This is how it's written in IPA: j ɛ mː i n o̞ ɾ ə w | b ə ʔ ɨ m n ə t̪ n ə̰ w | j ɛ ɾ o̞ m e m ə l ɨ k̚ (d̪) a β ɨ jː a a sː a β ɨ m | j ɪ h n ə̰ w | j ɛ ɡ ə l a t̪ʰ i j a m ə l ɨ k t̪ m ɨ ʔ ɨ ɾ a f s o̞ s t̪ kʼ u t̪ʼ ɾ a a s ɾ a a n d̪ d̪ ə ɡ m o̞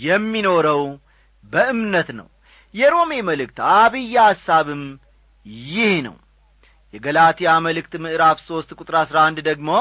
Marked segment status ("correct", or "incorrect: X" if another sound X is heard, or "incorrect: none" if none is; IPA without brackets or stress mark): incorrect: t̪